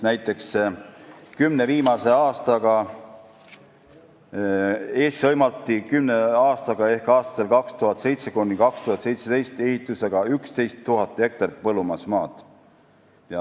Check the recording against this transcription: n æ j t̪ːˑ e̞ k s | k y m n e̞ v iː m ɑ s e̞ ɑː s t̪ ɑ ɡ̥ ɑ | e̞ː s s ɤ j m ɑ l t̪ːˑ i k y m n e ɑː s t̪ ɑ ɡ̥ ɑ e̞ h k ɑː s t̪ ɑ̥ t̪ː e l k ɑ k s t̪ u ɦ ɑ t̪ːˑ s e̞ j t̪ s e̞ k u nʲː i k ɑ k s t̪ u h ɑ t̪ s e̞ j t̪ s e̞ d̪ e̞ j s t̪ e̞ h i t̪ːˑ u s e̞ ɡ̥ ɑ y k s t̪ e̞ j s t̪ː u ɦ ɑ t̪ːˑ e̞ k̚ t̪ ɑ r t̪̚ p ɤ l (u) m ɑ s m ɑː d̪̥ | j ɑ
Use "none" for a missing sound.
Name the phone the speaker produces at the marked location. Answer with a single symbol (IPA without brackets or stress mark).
u